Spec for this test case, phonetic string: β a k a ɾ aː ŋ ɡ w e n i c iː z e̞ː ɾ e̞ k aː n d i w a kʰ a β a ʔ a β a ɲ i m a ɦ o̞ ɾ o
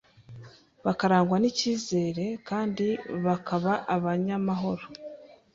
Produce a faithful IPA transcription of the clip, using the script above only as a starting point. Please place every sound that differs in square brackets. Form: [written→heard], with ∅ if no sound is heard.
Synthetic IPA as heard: β a k a ɾ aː ŋ ɡ w [e→a] n i c iː z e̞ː ɾ e̞ k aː n d i [w→β] a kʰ a β a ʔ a β a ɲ [i→a] m a ɦ o̞ ɾ o